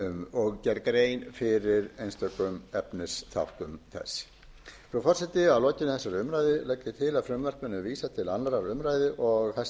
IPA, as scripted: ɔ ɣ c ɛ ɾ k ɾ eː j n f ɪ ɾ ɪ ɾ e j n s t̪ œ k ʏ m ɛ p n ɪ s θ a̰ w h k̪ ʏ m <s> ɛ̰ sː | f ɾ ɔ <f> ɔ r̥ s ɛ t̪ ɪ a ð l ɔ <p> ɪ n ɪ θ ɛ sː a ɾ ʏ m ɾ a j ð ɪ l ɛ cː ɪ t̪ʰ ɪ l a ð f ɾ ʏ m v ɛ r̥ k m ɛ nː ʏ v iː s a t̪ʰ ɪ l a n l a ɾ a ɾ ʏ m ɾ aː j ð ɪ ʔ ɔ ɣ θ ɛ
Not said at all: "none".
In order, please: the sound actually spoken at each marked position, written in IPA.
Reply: θ, f, c

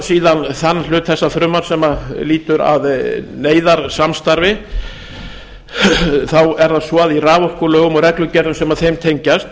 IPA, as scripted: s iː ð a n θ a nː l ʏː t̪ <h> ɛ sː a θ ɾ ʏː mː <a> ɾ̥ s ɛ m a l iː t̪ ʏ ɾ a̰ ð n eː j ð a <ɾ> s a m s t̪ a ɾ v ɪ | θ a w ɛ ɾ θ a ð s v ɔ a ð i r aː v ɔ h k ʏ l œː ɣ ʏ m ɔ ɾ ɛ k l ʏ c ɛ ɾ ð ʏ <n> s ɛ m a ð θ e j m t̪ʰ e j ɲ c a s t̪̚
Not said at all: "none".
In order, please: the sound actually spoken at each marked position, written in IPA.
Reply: θ, a, ɾ, m

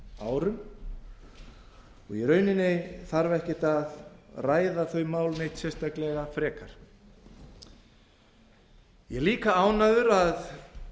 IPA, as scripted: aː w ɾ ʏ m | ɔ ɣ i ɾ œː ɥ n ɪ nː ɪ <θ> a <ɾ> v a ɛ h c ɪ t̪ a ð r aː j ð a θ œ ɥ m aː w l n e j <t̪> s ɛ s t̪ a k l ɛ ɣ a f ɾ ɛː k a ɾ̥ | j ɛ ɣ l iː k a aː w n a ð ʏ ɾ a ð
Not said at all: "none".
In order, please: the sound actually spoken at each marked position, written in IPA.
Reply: θ, ɾ, t̪

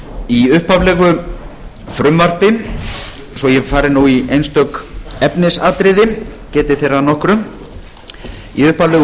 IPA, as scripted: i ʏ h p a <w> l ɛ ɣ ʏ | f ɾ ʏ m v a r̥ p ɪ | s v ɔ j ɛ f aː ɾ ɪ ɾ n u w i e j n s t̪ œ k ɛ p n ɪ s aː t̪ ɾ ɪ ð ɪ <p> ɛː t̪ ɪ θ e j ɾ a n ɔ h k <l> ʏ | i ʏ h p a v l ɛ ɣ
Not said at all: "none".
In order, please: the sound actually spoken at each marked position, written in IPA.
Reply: v, c, ɾ

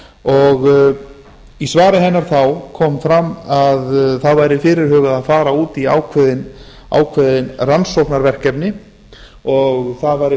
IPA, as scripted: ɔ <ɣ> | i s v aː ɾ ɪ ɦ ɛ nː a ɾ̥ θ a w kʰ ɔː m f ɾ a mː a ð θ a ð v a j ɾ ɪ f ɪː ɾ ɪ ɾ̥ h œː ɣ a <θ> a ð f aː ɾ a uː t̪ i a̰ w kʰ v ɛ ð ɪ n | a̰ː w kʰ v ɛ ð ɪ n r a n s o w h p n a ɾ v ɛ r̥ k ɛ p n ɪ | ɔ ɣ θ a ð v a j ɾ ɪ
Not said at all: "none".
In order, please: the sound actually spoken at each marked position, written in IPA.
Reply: ɣ, ð

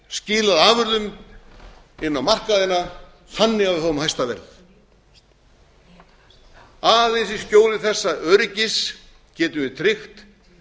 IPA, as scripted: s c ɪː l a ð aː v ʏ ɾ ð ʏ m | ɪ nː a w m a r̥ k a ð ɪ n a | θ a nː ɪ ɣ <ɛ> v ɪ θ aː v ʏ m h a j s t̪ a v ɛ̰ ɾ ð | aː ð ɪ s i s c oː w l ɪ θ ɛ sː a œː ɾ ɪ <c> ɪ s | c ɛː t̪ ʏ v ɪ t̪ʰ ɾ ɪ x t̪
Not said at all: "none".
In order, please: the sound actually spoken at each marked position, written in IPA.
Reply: a, c

